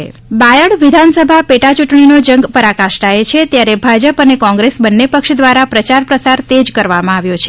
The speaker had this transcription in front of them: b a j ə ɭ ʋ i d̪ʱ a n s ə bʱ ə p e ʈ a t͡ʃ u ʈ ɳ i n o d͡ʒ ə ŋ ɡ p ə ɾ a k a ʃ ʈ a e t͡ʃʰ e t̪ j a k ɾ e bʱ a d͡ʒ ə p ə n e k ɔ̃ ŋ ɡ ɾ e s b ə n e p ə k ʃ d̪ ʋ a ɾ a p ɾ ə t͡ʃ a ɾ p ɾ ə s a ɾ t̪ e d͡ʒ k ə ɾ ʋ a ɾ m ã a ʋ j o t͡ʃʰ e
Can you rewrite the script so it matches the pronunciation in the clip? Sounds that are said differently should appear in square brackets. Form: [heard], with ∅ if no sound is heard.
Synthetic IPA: b a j ə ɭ ʋ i d̪ʱ a n s ə bʱ [a] p e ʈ a t͡ʃ u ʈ ɳ i n o d͡ʒ ə ŋ ɡ p ə ɾ a k a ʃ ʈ a e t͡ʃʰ e t̪ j a [∅] ɾ e bʱ a d͡ʒ ə p ə n e k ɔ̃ ŋ ɡ ɾ e s b ə [nː] e p ə k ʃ d̪ ʋ a ɾ a p ɾ ə t͡ʃ a ɾ p ɾ ə s a ɾ t̪ e d͡ʒ k ə ɾ ʋ a [∅] m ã a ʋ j o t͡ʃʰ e